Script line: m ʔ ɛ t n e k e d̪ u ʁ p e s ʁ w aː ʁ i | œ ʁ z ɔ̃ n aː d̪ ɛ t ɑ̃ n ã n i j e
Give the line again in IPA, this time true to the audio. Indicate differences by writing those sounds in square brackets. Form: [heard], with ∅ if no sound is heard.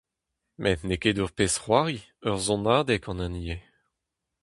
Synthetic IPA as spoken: m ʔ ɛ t n e k e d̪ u ʁ p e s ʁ w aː ʁ i | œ ʁ z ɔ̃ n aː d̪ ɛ [k] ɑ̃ n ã n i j e